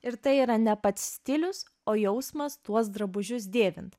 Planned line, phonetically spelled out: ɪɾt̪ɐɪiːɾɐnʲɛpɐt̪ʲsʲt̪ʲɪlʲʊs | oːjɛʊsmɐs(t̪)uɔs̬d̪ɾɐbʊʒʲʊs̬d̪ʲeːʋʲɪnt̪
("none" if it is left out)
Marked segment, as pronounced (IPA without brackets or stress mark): t̪